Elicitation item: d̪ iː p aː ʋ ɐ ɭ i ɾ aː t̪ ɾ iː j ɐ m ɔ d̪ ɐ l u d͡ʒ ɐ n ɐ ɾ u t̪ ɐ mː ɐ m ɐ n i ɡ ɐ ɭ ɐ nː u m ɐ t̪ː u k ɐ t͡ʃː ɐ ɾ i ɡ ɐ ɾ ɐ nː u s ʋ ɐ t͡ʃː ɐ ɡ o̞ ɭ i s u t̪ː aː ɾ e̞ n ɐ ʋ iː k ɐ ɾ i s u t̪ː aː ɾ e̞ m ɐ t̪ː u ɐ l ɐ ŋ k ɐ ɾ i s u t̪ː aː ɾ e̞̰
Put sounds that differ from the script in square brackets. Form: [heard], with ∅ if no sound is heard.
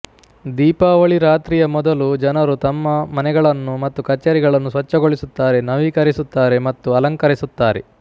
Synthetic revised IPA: d̪ iː p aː ʋ ɐ ɭ i ɾ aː t̪ ɾ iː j ɐ m ɔ d̪ ɐ l u d͡ʒ ɐ n ɐ ɾ u t̪ ɐ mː ɐ m ɐ n [ɛ] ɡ ɐ ɭ ɐ nː u m ɐ t̪ː u k ɐ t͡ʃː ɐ ɾ i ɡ ɐ [ɭ] ɐ nː u s ʋ ɐ t͡ʃː ɐ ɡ o̞ ɭ i s u t̪ː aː ɾ e̞ n ɐ ʋ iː k ɐ ɾ i s u t̪ː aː ɾ e̞ m ɐ t̪ː u ɐ l ɐ ŋ k ɐ ɾ i s u t̪ː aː ɾ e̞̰